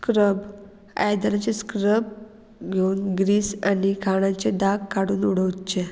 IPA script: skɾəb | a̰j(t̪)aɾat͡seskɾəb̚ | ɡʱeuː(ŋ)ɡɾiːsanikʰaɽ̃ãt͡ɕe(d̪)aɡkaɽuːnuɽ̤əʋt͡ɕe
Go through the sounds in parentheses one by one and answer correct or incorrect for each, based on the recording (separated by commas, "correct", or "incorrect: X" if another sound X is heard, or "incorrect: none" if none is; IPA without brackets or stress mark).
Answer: incorrect: d̪, incorrect: n, correct